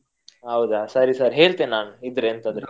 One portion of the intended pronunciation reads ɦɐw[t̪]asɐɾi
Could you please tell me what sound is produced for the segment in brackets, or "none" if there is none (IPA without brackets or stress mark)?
d̪